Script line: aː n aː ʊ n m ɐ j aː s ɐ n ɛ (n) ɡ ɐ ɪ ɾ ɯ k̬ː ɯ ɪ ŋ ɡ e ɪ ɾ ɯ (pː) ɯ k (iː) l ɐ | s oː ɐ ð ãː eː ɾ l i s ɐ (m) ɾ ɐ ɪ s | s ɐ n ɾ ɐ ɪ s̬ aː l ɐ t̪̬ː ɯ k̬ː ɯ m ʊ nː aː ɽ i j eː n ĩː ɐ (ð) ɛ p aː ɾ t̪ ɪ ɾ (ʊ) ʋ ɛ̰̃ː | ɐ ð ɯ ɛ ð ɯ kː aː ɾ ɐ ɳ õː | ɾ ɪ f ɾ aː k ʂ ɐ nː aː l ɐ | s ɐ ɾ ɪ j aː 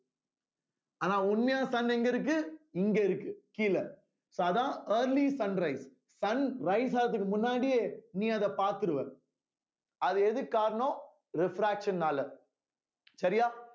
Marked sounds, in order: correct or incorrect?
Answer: incorrect, incorrect, correct, incorrect, correct, incorrect

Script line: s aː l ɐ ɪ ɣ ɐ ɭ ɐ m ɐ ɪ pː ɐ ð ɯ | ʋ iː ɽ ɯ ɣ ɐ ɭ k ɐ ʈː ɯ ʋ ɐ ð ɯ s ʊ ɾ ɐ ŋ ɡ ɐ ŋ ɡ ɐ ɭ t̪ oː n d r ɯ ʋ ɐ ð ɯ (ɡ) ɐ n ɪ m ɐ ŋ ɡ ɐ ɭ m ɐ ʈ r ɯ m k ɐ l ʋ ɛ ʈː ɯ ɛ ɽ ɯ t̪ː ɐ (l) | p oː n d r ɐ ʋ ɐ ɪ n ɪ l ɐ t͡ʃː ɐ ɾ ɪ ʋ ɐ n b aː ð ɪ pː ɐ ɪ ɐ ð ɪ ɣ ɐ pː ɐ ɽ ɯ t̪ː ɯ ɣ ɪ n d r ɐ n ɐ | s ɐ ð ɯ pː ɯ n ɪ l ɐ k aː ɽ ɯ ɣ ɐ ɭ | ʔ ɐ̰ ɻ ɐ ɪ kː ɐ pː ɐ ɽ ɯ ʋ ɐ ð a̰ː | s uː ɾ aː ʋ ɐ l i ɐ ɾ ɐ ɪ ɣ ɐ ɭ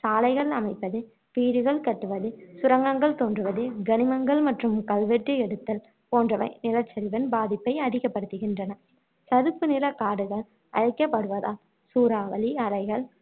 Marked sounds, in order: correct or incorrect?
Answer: correct, correct

